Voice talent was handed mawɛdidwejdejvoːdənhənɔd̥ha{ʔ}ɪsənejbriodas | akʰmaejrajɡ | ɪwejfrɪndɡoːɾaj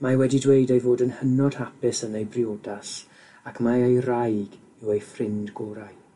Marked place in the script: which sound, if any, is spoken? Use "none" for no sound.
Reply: p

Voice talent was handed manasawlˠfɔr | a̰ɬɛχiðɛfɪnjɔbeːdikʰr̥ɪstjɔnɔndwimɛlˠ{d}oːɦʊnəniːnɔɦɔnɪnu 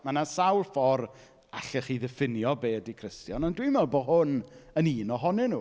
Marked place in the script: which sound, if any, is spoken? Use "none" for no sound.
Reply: b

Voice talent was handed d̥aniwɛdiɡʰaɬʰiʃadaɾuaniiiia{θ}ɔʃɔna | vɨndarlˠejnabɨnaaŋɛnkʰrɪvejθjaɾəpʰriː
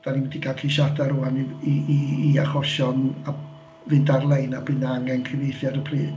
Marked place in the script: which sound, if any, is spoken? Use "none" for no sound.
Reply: χ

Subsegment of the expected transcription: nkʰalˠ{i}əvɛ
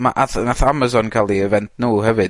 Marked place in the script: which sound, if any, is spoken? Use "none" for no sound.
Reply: i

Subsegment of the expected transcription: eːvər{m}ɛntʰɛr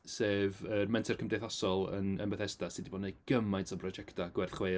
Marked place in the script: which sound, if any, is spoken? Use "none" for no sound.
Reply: m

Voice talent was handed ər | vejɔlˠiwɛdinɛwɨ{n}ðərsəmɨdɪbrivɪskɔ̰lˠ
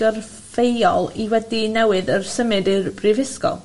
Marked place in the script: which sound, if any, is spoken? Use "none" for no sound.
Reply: none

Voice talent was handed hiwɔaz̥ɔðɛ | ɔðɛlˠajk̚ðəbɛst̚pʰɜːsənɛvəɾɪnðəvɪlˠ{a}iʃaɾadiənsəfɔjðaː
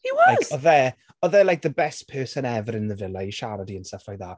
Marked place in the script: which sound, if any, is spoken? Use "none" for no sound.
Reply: a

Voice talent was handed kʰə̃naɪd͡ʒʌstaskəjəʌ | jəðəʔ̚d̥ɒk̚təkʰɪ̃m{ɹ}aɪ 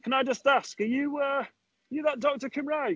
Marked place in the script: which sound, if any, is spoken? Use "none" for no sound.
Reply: ɹ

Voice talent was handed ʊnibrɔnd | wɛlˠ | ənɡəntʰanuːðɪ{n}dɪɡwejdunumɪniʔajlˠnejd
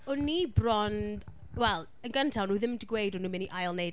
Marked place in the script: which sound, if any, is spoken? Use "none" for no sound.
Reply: m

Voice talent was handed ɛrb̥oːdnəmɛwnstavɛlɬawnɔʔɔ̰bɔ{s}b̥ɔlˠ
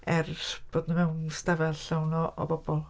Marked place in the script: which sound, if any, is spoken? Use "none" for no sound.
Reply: none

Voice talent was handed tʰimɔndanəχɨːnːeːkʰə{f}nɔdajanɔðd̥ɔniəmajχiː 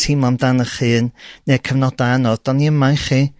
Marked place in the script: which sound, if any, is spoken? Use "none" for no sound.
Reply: v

